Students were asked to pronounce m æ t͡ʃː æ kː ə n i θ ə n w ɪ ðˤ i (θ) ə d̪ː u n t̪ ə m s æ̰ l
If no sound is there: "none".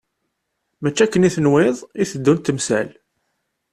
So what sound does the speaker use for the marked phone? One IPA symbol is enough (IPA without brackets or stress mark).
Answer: θ